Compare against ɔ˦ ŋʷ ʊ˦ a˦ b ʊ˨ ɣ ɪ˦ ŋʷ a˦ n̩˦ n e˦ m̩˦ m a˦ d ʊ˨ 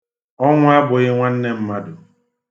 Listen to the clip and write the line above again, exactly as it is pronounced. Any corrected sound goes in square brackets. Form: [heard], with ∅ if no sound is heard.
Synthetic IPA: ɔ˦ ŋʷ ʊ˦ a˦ b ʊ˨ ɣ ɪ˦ ŋʷ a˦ n̩˦ n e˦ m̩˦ m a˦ d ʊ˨